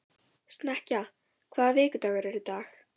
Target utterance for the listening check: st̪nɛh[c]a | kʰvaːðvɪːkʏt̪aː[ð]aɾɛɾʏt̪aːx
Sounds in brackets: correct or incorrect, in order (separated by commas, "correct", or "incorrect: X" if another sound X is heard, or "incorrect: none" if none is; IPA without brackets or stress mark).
correct, incorrect: ɣ